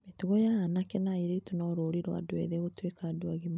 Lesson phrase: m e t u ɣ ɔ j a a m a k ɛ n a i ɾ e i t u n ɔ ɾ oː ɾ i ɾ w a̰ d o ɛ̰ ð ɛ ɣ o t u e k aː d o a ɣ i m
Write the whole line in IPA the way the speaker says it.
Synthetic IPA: m e t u ɣ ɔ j a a n a k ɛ n a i ɾ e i t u n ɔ ɾ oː ɾ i ɾ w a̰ d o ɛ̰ ð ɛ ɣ o t w e k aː d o a ɣ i m